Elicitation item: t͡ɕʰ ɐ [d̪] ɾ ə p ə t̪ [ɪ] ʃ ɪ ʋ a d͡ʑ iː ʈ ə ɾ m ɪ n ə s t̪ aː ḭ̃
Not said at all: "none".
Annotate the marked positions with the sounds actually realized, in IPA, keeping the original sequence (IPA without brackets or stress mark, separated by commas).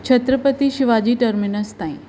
t̪, i